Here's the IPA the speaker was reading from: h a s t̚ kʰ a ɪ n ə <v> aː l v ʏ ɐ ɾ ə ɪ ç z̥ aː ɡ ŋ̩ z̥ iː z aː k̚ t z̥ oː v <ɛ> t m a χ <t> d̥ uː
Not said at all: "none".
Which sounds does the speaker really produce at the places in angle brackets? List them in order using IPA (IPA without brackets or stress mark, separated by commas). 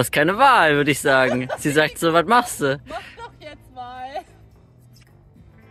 v, a, s